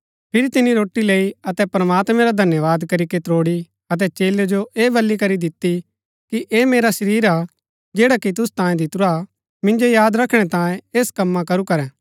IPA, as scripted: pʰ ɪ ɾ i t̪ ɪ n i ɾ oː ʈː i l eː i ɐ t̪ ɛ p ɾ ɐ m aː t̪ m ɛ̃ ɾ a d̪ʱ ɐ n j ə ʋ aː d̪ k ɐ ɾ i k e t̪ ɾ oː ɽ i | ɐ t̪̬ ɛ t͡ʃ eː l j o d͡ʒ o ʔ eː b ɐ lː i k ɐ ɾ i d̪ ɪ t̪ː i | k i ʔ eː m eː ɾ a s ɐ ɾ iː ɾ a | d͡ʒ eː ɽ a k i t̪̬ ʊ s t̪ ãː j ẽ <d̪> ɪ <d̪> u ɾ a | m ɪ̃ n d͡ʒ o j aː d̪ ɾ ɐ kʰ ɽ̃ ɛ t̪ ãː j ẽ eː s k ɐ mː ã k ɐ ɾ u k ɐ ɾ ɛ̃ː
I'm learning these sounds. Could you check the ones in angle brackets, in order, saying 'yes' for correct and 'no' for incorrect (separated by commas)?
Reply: yes, no